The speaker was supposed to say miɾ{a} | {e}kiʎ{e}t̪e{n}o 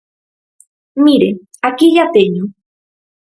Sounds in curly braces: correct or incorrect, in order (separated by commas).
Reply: incorrect, incorrect, incorrect, incorrect